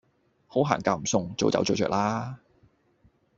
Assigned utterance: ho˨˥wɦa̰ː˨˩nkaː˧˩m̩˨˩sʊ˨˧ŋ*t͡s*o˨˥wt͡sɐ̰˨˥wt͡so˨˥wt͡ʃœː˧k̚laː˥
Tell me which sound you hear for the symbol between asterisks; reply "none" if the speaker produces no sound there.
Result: t͡s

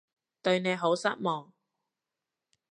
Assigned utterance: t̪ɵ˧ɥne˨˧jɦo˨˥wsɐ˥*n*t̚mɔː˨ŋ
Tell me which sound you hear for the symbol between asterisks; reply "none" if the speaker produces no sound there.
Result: none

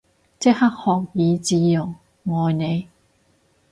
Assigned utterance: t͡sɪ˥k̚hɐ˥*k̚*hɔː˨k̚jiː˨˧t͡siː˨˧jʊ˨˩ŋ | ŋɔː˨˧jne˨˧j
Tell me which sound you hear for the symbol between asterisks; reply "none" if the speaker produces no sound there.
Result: k̚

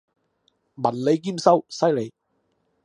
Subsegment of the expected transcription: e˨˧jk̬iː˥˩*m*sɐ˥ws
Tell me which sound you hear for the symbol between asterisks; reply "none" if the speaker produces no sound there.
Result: m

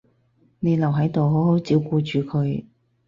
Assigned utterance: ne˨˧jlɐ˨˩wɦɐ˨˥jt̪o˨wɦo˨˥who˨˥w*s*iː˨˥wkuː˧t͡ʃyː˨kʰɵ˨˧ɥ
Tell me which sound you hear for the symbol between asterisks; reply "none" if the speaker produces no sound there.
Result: t͡s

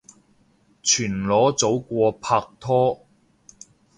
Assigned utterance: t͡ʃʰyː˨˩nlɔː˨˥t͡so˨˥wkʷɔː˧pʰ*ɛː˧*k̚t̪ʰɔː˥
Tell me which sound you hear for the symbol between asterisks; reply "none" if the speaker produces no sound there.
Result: aː˧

